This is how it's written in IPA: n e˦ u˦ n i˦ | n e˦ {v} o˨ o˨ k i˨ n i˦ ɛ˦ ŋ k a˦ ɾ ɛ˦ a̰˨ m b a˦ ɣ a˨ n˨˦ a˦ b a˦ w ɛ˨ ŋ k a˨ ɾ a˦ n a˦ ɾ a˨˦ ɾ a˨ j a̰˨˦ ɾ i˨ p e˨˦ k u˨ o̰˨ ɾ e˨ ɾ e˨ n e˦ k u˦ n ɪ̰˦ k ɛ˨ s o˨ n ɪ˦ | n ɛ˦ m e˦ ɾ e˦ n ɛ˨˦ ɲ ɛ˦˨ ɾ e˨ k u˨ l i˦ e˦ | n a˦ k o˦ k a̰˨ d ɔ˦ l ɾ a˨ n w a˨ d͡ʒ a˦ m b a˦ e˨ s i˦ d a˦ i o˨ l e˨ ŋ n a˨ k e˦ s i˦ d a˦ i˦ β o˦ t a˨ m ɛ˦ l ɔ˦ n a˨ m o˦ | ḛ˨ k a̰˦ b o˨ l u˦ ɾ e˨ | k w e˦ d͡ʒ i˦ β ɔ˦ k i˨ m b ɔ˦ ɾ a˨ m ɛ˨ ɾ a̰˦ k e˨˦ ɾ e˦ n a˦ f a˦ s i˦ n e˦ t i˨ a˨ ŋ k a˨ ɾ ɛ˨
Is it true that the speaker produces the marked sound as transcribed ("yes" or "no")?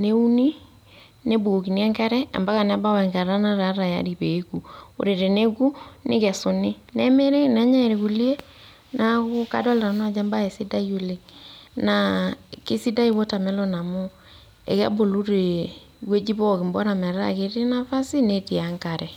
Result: no